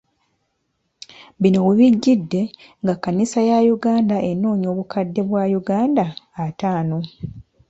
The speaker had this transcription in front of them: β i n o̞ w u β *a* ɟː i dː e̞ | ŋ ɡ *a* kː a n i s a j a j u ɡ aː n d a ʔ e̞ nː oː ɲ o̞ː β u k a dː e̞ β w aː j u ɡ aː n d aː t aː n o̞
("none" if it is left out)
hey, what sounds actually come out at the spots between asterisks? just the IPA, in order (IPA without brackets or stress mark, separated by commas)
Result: i, a